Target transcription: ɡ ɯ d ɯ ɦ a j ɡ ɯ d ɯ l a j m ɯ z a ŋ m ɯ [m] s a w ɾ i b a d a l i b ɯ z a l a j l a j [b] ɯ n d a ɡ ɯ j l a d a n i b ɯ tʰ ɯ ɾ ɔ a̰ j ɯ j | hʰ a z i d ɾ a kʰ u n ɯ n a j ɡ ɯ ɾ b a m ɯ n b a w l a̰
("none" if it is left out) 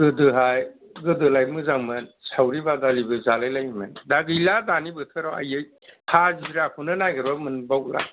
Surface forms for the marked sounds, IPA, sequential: n, m

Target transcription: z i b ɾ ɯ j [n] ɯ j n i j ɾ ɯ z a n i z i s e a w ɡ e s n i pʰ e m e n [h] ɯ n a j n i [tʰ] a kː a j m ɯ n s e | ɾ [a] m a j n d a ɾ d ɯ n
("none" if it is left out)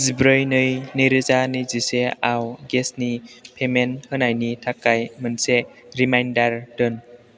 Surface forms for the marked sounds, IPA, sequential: n, h, tʰ, i

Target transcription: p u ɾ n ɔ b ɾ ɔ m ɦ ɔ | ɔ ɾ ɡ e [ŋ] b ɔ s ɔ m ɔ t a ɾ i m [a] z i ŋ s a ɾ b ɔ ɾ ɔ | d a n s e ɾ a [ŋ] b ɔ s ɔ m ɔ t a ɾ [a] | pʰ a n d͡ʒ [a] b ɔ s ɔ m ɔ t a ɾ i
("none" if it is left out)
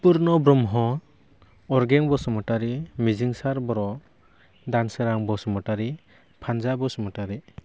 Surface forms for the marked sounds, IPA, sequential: ŋ, i, ŋ, i, a

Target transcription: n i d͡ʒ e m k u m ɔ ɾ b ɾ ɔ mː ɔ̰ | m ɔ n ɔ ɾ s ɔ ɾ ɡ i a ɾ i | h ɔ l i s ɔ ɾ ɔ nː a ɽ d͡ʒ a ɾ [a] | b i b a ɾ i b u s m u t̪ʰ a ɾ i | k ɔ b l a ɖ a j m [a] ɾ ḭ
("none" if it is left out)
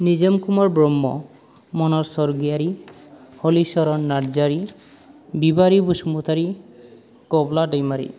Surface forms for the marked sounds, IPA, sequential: i, a

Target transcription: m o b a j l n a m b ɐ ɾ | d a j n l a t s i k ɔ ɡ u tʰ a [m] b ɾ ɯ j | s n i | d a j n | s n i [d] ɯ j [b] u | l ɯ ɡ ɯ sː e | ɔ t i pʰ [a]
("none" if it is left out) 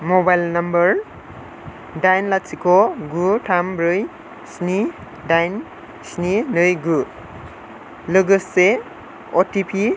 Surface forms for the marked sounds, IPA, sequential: m, n, ɡ, i

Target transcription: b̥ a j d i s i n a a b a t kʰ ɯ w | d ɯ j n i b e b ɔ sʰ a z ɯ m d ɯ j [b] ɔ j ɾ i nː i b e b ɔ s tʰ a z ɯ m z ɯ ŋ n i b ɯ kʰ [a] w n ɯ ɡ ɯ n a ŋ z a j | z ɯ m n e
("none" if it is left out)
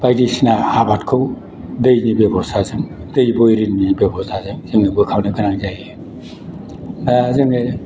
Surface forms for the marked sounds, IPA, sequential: b, a

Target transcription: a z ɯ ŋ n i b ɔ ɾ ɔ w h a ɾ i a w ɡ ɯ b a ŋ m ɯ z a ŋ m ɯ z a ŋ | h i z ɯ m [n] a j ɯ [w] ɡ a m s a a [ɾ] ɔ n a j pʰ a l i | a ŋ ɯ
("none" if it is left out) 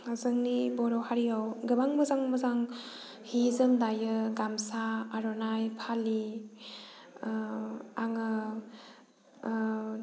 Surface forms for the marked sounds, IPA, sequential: d, none, ɾ

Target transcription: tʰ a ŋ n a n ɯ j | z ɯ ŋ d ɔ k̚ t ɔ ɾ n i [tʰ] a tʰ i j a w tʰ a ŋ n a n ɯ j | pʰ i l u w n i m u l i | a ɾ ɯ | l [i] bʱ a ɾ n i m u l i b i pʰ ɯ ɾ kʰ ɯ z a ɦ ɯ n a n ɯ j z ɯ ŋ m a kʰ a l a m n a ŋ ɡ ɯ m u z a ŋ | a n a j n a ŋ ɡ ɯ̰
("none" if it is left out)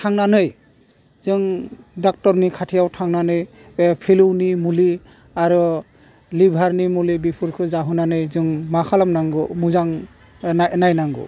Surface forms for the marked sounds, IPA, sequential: kʰ, i

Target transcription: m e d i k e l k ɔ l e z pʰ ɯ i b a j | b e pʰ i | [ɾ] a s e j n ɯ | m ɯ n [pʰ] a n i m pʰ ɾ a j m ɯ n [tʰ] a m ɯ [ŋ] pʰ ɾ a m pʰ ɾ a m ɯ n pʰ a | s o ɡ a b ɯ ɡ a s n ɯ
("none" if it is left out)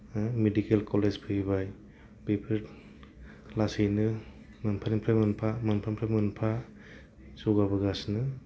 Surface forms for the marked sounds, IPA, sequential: l, pʰ, pʰ, n

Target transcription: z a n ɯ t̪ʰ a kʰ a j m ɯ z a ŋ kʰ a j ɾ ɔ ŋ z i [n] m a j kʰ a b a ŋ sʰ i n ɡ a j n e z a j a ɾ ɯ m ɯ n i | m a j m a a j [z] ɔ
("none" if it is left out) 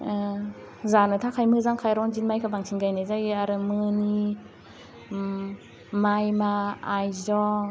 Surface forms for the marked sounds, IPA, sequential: n, z

